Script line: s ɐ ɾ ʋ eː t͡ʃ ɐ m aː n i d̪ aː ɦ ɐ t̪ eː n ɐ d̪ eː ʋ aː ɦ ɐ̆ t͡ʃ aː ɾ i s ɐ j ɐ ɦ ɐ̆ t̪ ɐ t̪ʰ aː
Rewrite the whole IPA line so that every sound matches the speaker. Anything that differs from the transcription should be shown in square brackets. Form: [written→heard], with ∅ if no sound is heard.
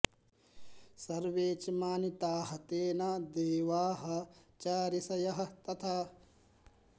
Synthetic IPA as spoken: s ɐ ɾ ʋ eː t͡ʃ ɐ m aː n i [d̪→t̪] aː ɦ ɐ t̪ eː n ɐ d̪ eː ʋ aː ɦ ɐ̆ t͡ʃ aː ɾ i s ɐ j ɐ ɦ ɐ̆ t̪ ɐ t̪ʰ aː